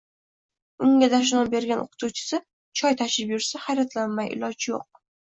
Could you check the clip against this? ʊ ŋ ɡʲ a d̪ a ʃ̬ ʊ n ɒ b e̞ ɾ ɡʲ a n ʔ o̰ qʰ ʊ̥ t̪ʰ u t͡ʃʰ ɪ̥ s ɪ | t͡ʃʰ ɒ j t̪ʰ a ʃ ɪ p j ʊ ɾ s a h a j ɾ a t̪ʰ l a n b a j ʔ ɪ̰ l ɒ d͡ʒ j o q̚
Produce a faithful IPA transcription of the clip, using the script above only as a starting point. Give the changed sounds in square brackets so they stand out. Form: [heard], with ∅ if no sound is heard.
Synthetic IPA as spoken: ʊ ŋ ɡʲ a d̪ a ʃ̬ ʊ n ɒ b e̞ ɾ ɡʲ a n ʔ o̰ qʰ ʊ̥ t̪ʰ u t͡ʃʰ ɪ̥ s ɪ | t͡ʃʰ ɒ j t̪ʰ a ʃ ɪ p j ʊ ɾ s a h a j ɾ a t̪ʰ l a n [m] a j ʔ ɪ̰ l ɒ d͡ʒ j o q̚